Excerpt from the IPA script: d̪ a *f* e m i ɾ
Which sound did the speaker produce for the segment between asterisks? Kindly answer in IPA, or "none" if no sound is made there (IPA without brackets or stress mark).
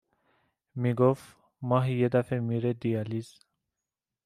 f